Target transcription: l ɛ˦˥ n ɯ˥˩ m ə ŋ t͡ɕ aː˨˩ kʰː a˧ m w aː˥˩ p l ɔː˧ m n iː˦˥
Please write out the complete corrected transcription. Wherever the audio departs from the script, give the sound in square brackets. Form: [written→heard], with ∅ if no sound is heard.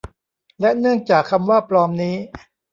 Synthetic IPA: l ɛ˦˥ n ɯ˥˩ [m→∅] ə ŋ t͡ɕ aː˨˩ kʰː a˧ m w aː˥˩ p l ɔː˧ m n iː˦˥